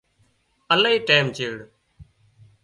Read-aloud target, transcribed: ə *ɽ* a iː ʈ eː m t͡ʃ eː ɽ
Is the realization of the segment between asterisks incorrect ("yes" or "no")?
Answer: yes